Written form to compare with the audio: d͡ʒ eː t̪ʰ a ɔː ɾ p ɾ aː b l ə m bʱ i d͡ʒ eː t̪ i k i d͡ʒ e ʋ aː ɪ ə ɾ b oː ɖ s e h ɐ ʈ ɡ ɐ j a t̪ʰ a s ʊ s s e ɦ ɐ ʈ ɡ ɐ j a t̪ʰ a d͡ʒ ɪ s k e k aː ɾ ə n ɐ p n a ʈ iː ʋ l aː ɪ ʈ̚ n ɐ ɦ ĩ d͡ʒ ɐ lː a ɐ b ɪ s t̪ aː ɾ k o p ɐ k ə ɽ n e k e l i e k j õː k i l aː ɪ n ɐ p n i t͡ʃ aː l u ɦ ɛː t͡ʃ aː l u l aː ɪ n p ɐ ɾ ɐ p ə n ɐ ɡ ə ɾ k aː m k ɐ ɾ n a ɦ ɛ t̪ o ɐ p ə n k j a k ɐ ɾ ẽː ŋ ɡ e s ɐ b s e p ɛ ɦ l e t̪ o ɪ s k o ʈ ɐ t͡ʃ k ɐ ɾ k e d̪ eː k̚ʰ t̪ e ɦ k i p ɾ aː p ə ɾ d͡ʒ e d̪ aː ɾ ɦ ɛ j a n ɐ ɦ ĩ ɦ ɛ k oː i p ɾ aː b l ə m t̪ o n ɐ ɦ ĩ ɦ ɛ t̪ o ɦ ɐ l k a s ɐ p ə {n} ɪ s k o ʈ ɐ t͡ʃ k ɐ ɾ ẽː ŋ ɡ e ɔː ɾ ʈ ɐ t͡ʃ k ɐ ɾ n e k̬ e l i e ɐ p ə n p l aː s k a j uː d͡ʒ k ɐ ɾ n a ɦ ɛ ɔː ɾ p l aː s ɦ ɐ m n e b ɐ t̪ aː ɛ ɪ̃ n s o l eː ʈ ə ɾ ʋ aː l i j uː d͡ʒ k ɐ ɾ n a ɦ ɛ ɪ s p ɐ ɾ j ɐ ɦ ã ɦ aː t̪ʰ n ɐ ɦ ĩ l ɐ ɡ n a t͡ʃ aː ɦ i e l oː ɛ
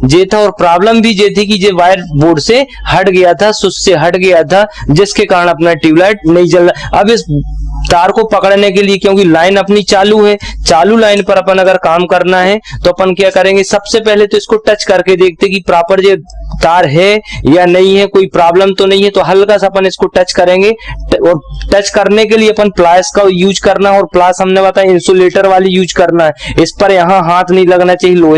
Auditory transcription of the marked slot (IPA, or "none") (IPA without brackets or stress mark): n